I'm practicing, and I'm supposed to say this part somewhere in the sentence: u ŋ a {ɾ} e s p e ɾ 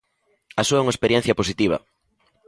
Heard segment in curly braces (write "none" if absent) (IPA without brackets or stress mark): none